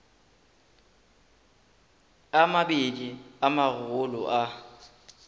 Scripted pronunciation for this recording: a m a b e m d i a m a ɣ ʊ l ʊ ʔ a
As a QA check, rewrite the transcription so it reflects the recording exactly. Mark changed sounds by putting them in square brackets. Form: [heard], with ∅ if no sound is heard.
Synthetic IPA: a m a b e [∅] d i a m a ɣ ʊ l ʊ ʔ a